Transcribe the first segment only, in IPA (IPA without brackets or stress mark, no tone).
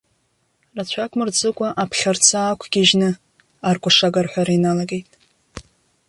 r